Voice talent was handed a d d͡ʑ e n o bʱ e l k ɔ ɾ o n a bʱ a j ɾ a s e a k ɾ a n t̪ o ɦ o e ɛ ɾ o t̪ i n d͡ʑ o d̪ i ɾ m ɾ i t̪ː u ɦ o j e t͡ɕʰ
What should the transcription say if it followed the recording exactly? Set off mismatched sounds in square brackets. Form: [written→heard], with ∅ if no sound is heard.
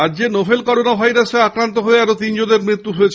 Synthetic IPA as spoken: a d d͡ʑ e n o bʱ e l k ɔ ɾ o n a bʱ a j ɾ a s e a k ɾ a n t̪ o ɦ o e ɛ ɾ o t̪ i n d͡ʑ o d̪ [i→e] ɾ m ɾ i t̪ː u ɦ o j e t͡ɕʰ